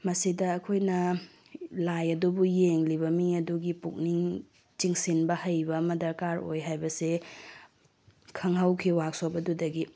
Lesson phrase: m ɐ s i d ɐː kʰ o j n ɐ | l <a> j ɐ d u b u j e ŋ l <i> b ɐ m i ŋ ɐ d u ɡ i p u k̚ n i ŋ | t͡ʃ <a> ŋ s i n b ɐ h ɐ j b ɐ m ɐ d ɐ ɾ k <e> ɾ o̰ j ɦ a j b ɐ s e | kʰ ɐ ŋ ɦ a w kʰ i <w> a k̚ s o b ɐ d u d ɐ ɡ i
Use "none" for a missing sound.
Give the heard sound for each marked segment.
a, i, i, a, w

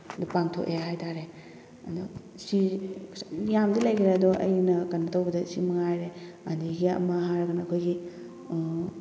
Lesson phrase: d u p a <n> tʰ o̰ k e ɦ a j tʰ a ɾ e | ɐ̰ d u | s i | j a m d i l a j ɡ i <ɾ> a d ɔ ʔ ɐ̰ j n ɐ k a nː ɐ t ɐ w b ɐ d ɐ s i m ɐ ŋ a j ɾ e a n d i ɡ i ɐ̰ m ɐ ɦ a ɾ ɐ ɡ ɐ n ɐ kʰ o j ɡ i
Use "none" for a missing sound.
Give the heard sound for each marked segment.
ŋ, ɾ

